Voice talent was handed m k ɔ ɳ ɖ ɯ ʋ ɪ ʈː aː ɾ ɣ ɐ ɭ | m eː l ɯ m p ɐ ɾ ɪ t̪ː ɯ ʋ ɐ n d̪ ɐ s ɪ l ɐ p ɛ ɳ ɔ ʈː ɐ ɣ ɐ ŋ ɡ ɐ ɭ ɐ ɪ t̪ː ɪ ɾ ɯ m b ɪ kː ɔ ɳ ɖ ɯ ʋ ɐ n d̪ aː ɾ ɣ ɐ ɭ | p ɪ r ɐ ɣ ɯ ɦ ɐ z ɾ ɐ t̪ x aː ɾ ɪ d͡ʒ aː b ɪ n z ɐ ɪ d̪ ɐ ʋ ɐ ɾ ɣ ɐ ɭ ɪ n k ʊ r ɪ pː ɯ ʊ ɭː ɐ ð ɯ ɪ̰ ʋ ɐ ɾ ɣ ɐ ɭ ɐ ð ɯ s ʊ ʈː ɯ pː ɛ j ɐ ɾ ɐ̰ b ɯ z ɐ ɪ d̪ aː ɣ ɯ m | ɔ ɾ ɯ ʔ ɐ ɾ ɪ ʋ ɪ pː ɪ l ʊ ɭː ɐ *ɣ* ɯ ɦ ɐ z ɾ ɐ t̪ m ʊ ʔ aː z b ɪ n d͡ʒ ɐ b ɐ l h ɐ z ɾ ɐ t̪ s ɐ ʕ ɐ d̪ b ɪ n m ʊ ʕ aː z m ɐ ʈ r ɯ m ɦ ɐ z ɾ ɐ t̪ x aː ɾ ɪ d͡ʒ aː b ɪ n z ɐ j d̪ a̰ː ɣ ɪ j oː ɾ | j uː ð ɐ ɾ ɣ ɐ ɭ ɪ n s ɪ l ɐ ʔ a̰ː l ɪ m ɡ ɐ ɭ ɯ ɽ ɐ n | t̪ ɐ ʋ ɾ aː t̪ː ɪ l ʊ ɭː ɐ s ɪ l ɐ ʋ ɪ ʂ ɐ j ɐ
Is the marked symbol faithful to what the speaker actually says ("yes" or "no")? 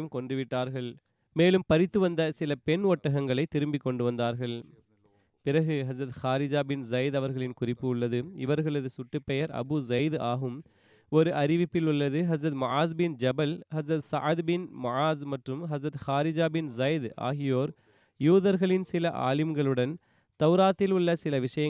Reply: no